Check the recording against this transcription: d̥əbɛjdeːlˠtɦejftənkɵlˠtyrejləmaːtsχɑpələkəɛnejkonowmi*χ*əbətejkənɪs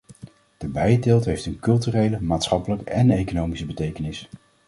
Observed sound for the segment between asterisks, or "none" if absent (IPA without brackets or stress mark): s